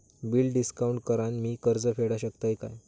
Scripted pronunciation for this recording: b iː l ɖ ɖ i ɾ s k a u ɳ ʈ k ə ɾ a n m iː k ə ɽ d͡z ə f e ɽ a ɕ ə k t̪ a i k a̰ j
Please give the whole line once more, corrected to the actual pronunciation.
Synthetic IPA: b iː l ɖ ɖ i s k a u ɳ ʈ k ə ɾ a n m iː k ə ɾ d͡z ə f e ɽ a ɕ ə k t̪ a j k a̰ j

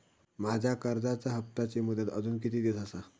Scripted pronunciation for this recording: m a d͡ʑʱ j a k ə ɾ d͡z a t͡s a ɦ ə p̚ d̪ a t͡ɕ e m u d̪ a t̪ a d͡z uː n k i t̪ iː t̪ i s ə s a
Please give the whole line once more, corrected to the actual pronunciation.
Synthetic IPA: m a d͡ʑʱ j a k ə ɾ d͡z a t͡s a ɦ ə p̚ t̪ a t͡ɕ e m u d̪ ə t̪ ə d͡z uː n k i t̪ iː d̪ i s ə s a

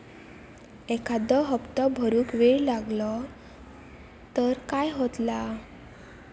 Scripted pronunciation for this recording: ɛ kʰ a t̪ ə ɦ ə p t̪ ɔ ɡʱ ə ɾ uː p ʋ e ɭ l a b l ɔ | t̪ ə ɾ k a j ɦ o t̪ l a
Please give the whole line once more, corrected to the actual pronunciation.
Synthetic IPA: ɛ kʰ a d̪ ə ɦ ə p t̪ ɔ bʱ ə ɾ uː k ʋ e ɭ l a ɡ l ɔ | t̪ ə ɾ k a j ɦ o t̪ l a

